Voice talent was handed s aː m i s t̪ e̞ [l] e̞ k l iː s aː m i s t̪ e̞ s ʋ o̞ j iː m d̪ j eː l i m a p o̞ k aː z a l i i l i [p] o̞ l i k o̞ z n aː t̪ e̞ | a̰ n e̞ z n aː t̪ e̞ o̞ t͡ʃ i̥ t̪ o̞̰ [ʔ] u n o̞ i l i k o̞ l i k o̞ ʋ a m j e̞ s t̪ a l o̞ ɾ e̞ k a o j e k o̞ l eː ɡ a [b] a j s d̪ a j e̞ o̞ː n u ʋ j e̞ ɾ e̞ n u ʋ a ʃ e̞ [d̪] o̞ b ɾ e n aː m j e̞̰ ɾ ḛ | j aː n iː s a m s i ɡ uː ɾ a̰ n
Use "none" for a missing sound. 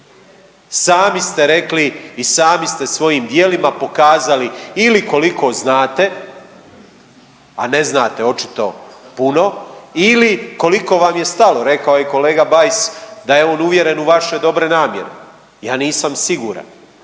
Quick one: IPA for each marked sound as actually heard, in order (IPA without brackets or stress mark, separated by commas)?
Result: ɾ, k, p, b, d̪